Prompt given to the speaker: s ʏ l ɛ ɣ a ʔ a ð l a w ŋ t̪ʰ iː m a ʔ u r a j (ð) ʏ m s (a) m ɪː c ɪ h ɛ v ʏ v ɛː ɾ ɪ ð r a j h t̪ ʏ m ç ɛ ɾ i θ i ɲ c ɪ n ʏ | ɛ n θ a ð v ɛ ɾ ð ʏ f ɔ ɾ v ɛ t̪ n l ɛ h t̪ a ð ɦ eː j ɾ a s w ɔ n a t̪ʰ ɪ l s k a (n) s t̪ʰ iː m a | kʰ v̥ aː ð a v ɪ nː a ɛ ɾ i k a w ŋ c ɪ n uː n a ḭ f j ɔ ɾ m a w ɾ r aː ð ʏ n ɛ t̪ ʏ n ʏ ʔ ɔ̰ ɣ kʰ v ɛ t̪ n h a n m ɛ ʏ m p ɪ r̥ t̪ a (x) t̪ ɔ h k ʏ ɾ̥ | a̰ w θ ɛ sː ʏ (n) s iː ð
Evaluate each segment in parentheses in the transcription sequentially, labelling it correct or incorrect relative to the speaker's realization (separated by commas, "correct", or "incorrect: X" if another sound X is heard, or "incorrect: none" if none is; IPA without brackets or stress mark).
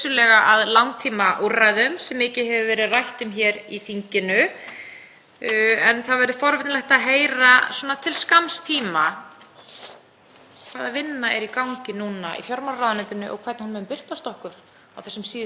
correct, incorrect: ɛ, incorrect: m, incorrect: s, incorrect: m